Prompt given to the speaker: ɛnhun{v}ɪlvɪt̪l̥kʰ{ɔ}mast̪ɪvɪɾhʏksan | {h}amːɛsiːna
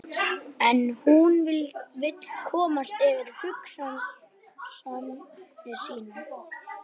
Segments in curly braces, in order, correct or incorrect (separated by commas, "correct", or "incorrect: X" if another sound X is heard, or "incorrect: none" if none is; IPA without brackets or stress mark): correct, incorrect: ɔː, incorrect: s